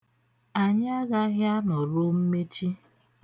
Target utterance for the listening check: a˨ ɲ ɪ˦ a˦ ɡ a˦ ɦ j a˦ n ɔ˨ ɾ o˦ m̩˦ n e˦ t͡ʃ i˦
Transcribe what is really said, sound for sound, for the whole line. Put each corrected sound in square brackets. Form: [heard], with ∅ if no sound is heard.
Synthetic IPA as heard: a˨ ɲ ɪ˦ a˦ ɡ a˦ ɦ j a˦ n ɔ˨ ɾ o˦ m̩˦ [m] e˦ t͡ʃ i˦